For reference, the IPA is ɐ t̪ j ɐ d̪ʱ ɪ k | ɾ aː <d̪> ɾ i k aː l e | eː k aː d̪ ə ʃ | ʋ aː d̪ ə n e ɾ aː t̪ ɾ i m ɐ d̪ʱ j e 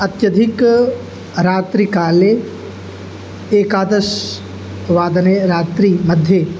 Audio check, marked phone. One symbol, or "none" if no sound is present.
t̪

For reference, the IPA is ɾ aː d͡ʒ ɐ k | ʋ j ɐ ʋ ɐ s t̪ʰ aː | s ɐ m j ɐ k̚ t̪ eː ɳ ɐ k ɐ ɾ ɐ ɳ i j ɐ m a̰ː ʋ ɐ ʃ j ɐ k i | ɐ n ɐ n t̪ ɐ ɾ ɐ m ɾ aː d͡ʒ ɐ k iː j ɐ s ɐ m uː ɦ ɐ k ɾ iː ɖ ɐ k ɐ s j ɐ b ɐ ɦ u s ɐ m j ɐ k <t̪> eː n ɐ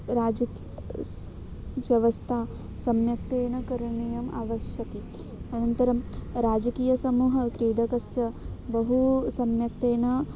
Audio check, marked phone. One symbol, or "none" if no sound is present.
t̪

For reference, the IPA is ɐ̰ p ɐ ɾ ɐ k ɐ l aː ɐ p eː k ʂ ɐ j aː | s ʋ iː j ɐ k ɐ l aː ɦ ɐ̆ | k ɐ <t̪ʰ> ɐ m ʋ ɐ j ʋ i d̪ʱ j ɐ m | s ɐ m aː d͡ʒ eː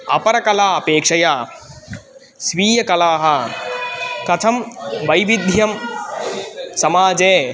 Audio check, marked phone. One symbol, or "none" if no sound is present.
t̪ʰ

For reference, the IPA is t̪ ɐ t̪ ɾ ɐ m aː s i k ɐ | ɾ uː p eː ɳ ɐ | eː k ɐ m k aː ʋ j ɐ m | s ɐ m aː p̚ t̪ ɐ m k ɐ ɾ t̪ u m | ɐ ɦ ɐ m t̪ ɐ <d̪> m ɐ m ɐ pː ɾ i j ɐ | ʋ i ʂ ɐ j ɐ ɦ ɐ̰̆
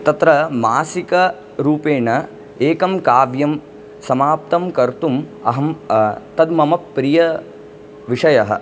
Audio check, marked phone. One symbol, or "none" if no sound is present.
d̪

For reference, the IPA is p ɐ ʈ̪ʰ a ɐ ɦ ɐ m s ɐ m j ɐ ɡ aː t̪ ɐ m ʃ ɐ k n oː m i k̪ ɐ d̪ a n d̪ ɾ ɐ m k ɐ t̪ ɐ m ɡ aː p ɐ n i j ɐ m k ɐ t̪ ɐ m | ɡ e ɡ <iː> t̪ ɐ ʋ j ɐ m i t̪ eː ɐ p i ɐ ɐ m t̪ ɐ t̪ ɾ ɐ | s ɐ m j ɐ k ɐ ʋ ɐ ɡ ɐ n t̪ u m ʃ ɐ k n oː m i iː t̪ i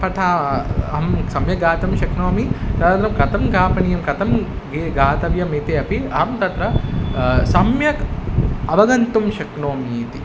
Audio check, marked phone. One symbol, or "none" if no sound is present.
aː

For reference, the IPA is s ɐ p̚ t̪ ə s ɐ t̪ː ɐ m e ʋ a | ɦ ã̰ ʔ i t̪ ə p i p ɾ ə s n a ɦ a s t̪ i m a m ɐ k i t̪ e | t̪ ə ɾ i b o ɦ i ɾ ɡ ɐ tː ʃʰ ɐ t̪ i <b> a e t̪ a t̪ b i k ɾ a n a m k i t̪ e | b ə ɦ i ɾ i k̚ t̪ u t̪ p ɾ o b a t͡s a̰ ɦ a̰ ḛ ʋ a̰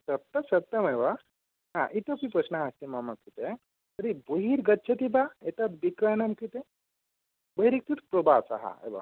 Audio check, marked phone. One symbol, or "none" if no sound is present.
b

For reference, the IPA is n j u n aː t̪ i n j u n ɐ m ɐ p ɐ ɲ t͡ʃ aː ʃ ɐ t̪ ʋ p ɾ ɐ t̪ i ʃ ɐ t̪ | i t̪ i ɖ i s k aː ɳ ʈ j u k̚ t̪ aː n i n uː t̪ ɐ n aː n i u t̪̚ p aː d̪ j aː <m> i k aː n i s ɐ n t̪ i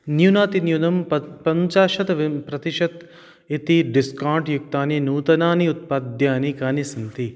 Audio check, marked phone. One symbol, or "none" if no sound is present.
n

